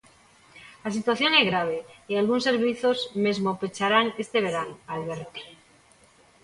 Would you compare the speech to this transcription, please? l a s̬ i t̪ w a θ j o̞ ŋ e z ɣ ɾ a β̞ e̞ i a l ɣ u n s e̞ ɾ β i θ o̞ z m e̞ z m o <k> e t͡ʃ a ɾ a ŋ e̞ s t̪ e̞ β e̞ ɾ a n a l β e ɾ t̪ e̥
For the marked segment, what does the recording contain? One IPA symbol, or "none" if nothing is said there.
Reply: p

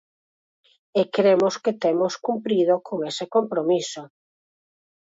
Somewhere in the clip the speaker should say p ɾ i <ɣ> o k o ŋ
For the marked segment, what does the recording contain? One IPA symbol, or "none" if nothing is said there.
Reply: ð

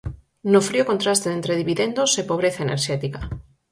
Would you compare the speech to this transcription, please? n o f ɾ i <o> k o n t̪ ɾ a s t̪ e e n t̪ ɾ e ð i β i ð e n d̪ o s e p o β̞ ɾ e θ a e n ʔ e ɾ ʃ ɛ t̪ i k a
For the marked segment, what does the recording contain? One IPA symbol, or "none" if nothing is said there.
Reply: o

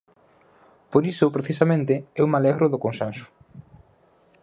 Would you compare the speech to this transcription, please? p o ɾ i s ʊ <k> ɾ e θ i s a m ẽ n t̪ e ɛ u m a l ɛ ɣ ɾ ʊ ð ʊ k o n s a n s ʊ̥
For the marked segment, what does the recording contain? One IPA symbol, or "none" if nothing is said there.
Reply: p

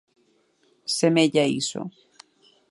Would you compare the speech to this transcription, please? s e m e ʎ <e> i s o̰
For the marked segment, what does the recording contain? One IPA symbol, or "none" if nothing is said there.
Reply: a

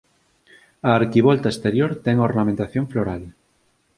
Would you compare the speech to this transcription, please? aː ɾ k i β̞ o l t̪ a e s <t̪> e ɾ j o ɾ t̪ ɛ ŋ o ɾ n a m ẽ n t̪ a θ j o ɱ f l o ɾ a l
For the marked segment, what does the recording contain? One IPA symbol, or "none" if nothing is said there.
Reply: t̪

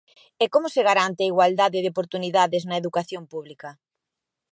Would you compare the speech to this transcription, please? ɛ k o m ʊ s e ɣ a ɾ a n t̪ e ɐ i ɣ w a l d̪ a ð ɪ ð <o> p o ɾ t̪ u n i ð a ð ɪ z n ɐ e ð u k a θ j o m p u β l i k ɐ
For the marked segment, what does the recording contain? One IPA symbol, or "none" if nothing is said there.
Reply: o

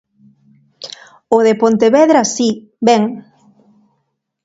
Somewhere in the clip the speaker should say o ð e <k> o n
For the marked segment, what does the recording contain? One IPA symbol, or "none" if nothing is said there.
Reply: p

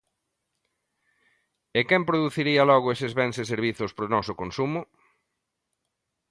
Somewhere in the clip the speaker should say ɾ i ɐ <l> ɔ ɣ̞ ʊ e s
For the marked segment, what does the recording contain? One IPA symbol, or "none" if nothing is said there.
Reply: l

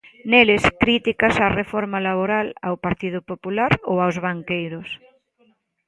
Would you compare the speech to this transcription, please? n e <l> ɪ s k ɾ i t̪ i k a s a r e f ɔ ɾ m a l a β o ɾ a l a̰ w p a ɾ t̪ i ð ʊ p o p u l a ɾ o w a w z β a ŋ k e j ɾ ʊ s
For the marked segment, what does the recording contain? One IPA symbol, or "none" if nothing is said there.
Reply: l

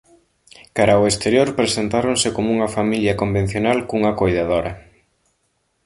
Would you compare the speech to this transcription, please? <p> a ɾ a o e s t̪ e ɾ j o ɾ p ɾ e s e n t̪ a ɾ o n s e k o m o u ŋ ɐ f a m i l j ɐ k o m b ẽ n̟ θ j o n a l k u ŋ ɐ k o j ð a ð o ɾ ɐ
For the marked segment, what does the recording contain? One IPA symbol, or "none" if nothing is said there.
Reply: k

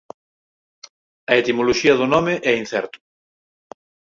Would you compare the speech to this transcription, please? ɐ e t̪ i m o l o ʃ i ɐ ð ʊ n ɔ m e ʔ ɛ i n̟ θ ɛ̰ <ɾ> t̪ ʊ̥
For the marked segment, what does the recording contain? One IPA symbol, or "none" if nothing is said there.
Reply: ɾ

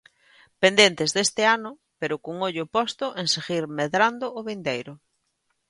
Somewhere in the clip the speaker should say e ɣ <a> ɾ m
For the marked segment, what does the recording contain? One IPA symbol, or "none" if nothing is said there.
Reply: i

